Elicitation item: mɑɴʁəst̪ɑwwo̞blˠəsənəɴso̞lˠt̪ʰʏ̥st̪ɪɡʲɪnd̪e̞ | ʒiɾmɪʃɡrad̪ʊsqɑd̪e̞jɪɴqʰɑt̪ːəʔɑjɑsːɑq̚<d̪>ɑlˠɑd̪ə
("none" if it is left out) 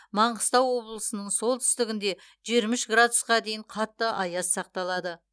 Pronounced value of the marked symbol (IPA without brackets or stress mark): t̪